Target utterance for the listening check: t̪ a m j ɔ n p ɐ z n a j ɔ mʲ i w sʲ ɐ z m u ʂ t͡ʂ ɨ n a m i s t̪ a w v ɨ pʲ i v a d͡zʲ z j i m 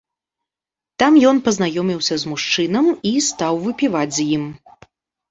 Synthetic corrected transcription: t̪ a m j ɔ n p ɐ z n a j ɔ mʲ i w sʲ ɐ z m u ʂ t͡ʂ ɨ n ɐ m i s t̪ a w v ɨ pʲ i v a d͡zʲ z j i m